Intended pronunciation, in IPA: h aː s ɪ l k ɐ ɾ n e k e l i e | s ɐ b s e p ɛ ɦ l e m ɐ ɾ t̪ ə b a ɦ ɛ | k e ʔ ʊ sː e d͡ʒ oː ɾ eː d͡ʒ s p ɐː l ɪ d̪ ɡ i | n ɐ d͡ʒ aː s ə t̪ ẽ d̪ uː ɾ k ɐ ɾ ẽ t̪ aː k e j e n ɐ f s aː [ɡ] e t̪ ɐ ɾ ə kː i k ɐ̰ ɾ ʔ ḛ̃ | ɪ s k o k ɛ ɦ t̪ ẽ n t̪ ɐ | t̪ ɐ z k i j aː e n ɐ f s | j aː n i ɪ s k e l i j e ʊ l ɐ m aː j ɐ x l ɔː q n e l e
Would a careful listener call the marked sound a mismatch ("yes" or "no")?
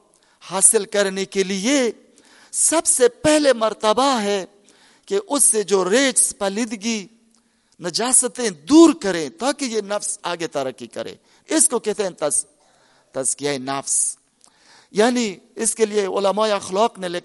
no